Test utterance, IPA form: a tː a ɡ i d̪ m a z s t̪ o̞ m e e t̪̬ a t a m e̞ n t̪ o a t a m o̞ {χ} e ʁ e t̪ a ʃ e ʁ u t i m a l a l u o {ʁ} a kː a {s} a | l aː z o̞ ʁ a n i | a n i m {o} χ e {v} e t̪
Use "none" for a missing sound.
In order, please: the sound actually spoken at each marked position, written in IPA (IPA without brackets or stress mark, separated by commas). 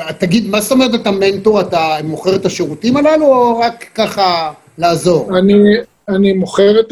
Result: χ, ʁ, χ, o, ʁ